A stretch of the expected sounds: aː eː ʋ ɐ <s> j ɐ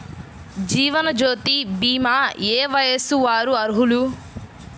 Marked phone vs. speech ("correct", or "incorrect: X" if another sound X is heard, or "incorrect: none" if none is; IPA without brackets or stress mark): incorrect: none